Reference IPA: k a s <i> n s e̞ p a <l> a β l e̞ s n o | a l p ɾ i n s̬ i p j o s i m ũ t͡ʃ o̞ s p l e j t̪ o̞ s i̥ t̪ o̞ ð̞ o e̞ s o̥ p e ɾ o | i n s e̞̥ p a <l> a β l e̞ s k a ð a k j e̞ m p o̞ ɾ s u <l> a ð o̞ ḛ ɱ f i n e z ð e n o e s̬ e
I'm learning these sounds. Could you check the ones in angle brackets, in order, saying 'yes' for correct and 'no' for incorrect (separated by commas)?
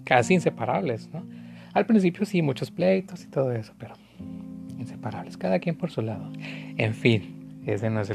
no, no, no, yes